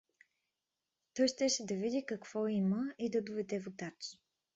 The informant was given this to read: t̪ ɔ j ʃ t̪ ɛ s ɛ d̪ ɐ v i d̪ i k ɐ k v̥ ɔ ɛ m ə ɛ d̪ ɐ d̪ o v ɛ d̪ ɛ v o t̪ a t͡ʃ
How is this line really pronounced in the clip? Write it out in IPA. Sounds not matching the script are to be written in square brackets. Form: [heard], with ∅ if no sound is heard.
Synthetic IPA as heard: t̪ ɔ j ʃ t̪ ɛ [ʃ] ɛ d̪ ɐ v i d̪ i k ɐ k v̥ ɔ [i] m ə [i] d̪ ɐ d̪ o v ɛ d̪ ɛ v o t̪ a t͡ʃ